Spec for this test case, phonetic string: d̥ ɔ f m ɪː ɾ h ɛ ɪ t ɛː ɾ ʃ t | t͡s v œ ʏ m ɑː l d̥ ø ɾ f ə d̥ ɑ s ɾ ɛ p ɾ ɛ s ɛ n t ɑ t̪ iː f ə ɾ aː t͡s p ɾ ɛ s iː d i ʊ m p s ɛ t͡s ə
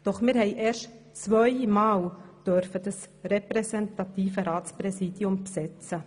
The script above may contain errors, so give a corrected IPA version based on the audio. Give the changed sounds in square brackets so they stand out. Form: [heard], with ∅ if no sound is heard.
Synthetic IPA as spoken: d̥ ɔ [χ] m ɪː ɾ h ɛ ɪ [ʔ] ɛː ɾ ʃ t | t͡s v œ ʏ m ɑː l d̥ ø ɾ f ə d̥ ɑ s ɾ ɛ p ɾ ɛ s ɛ n t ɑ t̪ iː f ə ɾ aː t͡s p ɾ ɛ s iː d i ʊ m p s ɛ t͡s ə